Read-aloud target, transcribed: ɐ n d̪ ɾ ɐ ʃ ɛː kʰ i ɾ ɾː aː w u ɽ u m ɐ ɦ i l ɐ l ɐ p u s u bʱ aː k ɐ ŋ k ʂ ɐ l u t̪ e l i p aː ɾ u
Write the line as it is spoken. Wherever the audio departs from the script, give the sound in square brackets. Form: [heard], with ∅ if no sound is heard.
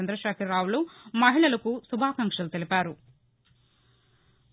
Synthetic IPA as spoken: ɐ n d̪ ɾ ɐ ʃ [aː] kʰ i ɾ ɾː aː w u [l] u m ɐ ɦ i [ɭ] ɐ l ɐ [k] u s u bʱ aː k ɐ ŋ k ʂ ɐ l u t̪ e l i p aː ɾ u